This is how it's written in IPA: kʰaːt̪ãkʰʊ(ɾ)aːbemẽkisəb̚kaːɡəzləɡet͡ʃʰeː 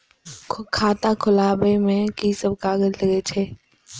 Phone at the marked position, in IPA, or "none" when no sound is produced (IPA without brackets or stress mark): l